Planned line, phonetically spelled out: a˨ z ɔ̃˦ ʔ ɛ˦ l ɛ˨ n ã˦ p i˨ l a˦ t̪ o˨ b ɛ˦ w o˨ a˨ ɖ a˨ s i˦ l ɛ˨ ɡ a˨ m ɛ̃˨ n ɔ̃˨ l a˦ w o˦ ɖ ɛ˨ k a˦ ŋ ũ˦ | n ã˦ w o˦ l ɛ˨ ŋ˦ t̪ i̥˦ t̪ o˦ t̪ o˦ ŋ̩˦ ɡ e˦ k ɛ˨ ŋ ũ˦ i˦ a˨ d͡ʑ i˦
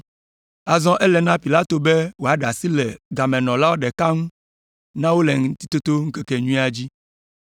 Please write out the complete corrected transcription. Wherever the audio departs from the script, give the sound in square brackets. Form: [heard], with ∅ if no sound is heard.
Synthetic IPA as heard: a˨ z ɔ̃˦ ʔ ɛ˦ l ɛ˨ n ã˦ p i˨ l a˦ t̪ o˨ b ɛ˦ w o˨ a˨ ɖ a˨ s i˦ l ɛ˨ ɡ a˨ m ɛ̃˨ n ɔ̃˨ l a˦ w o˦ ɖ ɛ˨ k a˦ ŋ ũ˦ | n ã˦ w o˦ l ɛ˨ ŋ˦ t̪ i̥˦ t̪ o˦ t̪ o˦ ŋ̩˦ [k] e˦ k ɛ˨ [ɲ] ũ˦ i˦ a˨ d͡ʑ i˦

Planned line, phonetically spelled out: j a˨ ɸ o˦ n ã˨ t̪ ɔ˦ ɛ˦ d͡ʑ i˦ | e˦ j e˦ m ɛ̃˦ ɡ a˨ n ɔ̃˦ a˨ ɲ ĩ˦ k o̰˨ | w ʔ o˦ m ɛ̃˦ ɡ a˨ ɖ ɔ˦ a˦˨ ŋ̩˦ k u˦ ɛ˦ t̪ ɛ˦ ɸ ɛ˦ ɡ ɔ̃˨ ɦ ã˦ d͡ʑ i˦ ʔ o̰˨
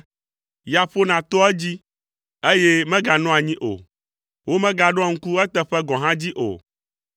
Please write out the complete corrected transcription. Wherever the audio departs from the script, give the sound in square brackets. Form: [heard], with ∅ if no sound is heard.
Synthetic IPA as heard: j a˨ ɸ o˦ n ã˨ t̪ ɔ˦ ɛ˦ d͡ʑ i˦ | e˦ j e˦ m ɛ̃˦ ɡ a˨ n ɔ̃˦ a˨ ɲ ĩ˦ [ʔ] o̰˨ | w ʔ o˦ m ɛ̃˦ ɡ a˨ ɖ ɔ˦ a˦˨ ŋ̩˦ k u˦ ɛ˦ t̪ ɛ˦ ɸ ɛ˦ ɡ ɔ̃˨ ɦ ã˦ d͡ʑ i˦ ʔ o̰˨

